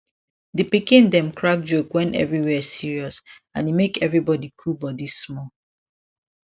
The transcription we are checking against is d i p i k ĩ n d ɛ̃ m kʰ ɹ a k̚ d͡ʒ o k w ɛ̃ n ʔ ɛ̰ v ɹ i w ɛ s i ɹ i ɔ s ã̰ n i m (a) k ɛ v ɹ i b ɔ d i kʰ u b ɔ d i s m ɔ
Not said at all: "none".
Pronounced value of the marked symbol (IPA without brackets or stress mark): e